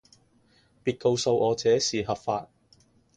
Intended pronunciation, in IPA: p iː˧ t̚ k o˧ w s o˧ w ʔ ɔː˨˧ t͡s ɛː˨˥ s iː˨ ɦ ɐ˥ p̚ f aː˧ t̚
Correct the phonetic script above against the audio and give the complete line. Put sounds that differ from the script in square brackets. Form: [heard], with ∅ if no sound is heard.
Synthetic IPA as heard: p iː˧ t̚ k o˧ w s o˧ w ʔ ɔː˨˧ t͡s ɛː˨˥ s iː˨ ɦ [ɐ˨] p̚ f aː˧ t̚